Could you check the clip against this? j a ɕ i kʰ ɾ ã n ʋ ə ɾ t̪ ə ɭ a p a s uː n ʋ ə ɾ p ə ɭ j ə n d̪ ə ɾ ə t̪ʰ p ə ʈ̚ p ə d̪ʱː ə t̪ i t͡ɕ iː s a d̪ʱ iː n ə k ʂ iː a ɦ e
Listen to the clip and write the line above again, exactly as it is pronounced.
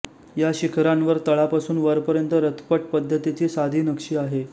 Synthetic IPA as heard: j a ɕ i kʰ ɾ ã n ʋ ə ɾ t̪ ə ɭ a p a s uː n ʋ ə ɾ p ə ɾ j ə n t̪ ə ɾ ə t̪ʰ p ə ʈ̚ p ə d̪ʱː ə t̪ i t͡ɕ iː s a d̪ʱ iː n ə k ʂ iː a ɦ e